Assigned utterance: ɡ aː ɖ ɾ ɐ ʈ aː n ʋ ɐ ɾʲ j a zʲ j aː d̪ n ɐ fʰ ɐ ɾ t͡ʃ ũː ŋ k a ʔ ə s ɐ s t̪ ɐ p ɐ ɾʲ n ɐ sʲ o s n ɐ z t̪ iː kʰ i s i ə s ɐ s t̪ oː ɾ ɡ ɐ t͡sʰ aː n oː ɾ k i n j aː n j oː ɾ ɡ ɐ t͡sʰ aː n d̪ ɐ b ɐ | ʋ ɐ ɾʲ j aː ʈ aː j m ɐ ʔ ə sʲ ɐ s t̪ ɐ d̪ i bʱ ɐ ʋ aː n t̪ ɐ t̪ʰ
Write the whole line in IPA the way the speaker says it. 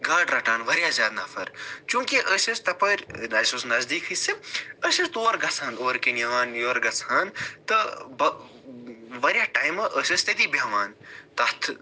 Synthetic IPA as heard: ɡ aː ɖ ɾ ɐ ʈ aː n ʋ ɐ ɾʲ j a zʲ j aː d̪ n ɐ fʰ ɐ ɾ t͡ʃ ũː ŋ k i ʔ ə s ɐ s t̪ ɐ p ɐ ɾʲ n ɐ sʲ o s n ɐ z d̪ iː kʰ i s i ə s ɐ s t̪ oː ɾ ɡ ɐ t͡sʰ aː n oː ɾ k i n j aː n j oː ɾ ɡ ɐ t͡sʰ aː n t̪ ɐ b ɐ | ʋ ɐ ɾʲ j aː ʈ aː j m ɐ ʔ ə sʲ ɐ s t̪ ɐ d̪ i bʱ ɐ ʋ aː n t̪ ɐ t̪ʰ